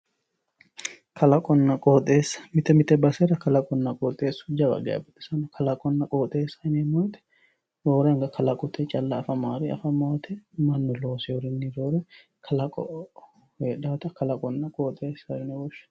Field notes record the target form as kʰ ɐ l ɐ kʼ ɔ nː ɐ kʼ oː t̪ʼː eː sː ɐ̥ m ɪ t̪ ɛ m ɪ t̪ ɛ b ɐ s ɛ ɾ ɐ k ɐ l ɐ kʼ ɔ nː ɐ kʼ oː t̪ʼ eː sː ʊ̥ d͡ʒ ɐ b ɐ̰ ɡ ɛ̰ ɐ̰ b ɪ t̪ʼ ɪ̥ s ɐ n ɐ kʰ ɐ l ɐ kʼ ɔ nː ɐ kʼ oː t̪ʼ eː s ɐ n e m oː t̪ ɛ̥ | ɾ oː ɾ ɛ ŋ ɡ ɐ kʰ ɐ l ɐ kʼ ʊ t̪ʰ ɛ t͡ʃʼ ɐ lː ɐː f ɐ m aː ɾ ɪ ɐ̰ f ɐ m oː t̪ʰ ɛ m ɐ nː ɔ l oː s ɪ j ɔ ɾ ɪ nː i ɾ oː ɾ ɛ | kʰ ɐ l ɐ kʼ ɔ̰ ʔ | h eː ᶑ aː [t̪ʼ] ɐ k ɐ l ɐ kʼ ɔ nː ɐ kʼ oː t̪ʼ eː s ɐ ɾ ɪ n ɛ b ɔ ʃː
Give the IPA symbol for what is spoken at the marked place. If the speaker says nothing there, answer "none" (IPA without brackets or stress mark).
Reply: t̪